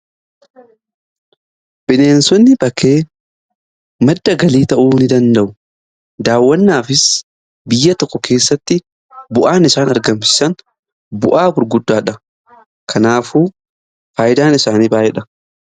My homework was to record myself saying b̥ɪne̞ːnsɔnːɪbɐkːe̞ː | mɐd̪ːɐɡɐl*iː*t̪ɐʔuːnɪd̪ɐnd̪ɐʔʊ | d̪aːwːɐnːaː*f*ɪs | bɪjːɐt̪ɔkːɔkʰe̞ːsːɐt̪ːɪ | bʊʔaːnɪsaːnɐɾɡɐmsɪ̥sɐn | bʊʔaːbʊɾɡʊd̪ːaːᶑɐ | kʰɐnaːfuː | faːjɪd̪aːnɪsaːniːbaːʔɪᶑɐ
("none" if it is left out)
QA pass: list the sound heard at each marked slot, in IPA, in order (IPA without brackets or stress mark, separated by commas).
iː, f